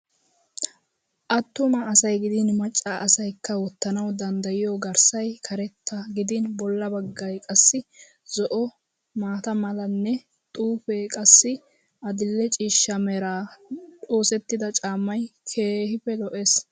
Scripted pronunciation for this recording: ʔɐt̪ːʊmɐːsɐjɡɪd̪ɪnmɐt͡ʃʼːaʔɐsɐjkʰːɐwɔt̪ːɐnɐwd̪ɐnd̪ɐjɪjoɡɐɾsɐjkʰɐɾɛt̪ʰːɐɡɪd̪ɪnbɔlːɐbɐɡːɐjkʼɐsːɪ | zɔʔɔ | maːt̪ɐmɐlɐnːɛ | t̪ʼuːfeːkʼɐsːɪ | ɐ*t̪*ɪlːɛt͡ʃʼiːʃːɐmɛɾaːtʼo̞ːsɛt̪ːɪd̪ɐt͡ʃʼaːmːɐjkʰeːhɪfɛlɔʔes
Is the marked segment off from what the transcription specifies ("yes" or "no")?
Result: yes